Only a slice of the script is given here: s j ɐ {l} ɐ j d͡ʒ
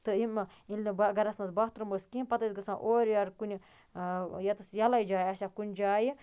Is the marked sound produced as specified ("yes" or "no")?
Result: yes